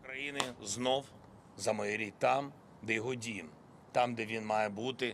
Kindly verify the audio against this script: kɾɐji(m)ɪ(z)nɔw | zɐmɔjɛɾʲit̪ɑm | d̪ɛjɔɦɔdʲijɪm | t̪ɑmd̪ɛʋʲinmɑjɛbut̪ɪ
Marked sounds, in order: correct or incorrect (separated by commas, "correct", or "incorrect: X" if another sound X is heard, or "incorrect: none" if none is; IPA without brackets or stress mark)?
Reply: incorrect: n, correct